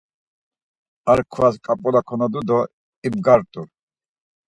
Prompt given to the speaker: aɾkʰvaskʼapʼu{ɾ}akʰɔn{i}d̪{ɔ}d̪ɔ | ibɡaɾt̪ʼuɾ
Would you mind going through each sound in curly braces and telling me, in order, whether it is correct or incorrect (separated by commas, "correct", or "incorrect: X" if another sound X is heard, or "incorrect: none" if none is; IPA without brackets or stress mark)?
incorrect: l, incorrect: a, incorrect: u